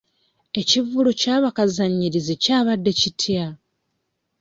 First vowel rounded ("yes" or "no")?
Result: no